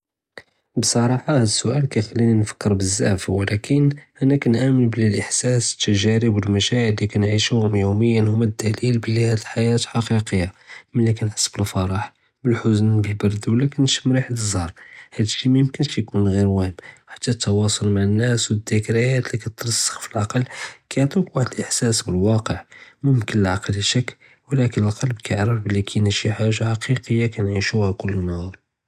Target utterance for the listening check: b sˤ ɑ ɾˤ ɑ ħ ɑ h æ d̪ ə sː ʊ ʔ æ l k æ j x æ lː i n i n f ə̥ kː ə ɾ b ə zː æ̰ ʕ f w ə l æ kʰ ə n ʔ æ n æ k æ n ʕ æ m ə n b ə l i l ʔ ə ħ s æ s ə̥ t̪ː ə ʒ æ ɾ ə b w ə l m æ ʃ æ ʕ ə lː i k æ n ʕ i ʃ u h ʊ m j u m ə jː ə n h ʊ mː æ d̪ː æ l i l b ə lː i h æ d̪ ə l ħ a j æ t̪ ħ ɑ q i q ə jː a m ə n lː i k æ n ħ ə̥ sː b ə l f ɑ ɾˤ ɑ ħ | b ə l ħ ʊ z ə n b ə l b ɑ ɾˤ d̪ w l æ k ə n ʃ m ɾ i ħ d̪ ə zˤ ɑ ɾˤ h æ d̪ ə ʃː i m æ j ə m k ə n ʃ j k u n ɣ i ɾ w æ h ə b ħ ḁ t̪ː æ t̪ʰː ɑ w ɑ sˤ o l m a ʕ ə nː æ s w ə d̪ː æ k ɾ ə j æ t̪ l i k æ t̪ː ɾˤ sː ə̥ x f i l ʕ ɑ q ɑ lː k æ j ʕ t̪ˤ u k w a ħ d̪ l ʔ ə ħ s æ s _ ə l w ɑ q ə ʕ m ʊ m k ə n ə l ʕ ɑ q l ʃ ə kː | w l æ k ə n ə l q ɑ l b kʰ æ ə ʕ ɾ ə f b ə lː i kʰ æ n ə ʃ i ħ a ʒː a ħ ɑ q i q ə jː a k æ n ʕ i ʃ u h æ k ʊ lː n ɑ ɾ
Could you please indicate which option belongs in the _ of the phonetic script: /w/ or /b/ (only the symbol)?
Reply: b